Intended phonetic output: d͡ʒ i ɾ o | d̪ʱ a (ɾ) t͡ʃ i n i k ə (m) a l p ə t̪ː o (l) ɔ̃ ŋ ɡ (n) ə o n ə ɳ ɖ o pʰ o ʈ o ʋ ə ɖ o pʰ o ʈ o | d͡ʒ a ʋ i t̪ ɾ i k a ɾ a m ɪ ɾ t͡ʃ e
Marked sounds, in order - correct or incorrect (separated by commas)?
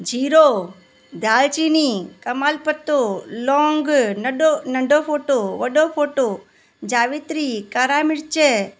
incorrect, correct, correct, correct